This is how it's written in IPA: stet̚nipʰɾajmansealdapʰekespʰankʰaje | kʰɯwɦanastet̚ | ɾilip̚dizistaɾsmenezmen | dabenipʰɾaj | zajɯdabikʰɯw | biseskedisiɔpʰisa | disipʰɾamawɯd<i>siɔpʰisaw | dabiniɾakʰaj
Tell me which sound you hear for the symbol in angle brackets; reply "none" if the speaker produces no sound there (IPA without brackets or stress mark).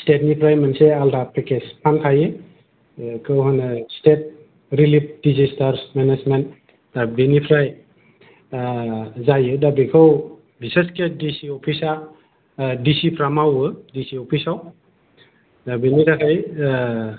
i